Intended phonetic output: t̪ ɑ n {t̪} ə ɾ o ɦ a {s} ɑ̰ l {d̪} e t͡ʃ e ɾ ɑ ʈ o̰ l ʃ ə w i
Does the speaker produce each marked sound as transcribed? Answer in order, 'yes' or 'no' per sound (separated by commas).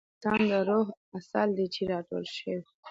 no, yes, yes